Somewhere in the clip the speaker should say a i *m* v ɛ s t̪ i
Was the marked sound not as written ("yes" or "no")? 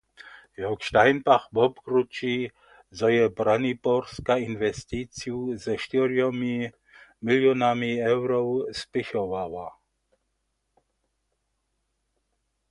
yes